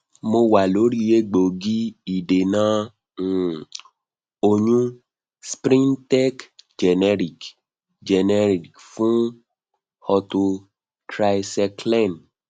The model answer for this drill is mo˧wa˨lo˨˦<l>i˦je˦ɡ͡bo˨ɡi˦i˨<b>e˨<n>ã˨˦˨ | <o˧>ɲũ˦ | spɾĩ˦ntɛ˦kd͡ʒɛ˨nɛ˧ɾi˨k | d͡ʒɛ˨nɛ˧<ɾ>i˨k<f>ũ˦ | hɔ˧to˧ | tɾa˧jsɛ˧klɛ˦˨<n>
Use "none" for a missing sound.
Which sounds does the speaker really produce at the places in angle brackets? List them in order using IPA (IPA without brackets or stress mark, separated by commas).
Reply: ɾ, d, n, o˧, ɾ, f, n